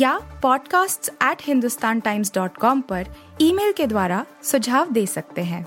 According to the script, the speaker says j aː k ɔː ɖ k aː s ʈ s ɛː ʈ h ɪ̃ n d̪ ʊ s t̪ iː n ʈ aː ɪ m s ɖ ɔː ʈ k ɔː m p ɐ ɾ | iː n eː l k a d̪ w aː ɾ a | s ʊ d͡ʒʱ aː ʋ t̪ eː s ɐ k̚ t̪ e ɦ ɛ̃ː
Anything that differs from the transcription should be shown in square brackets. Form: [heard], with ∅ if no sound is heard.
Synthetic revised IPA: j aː [p] ɔː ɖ k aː s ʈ s ɛː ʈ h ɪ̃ n d̪ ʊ s t̪ [aː] n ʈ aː ɪ m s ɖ ɔː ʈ k ɔː m p ɐ ɾ | iː [m] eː l k [e] d̪ w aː ɾ a | s ʊ d͡ʒʱ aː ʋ [d̪] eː s ɐ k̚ t̪ e ɦ ɛ̃ː